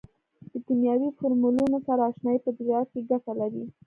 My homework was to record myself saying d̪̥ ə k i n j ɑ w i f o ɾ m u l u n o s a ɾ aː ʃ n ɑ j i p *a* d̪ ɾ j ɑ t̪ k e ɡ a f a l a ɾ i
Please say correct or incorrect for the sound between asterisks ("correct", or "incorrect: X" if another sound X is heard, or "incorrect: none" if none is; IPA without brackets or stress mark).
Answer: incorrect: ə